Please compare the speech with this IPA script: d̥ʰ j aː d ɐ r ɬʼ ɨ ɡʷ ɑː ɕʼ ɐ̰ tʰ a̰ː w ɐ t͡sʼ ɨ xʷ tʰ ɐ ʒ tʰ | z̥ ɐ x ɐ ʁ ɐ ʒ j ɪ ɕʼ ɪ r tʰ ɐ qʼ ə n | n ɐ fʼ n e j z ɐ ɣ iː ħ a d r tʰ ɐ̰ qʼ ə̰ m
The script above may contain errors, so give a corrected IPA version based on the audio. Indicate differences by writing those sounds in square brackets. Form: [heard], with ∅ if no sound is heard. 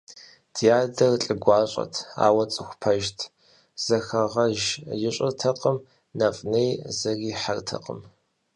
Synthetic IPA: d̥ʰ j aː d ɐ r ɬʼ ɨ ɡʷ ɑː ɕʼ ɐ̰ tʰ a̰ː w ɐ t͡sʼ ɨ xʷ [pʰ] ɐ ʒ tʰ | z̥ ɐ x ɐ ʁ ɐ ʒ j ɪ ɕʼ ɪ r tʰ ɐ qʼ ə [m] | n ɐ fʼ n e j z ɐ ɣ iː ħ a [∅] r tʰ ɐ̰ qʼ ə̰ m